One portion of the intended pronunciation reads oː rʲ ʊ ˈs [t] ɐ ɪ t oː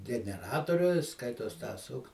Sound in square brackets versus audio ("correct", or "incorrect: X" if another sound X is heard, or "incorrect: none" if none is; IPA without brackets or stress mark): incorrect: k